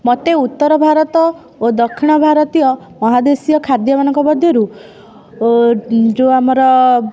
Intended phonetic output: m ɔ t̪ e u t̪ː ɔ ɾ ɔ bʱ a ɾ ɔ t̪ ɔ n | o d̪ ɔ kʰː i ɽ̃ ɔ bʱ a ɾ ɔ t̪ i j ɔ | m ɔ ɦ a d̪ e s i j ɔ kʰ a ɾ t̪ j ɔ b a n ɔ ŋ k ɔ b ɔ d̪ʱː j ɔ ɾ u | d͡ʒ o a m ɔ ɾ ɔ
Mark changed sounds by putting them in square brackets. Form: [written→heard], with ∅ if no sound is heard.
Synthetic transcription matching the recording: m ɔ t̪ e u t̪ː ɔ ɾ ɔ bʱ a ɾ ɔ t̪ ɔ [n→∅] | o d̪ ɔ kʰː i ɽ̃ ɔ bʱ a ɾ ɔ t̪ i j ɔ | m ɔ ɦ a d̪ e s i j ɔ kʰ a ɾ [t̪→d̪] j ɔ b a n ɔ ŋ k ɔ b ɔ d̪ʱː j ɔ ɾ u | d͡ʒ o a m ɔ ɾ ɔ